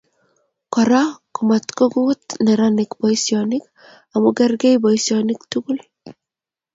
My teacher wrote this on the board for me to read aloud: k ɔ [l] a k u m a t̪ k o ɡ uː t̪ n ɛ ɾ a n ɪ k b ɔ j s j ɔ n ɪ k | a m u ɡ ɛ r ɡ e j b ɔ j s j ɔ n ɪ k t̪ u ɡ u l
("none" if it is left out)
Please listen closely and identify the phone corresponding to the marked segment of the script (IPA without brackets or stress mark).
ɾ